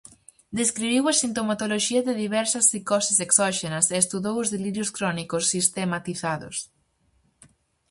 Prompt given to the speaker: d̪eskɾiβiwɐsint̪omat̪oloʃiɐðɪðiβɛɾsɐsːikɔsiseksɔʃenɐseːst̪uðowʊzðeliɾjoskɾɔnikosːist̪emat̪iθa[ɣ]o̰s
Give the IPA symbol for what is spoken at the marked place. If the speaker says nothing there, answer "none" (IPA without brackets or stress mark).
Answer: ð